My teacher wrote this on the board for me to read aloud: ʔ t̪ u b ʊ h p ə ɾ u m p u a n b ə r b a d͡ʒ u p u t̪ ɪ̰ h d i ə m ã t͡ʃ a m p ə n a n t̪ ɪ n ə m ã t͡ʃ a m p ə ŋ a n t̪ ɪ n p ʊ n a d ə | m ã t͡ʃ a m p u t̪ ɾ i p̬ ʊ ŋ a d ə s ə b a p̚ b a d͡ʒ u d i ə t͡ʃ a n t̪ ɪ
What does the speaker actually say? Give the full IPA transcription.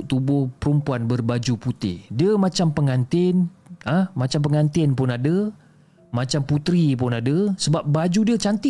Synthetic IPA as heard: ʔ t̪ u b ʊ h p ə ɾ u m p u a n b ə r b a d͡ʒ u p u t̪ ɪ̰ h d i ə m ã t͡ʃ a m p ə ŋ a n t̪ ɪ n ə m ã t͡ʃ a m p ə ŋ a n t̪ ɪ n p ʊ n a d ə | m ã t͡ʃ a m p u t̪ ɾ i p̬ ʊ n a d ə s ə b a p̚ b a d͡ʒ u d i ə t͡ʃ a n t̪ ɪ